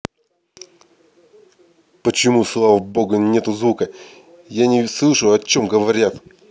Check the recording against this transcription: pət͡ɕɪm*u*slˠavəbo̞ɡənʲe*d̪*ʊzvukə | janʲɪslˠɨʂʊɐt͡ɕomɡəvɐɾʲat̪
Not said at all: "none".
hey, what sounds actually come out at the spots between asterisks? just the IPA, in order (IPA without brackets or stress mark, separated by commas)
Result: u, t̪